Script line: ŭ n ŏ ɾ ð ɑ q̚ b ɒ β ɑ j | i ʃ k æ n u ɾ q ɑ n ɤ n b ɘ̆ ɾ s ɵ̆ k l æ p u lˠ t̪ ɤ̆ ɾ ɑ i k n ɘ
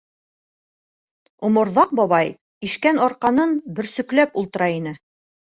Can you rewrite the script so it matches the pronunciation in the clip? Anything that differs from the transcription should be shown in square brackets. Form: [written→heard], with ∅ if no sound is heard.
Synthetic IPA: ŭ [n→m] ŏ ɾ ð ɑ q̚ b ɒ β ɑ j | i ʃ k æ n [u→ɒ] ɾ q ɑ n ɤ n b ɘ̆ ɾ s ɵ̆ k l æ p u lˠ t̪ ɤ̆ ɾ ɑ i [k→∅] n ɘ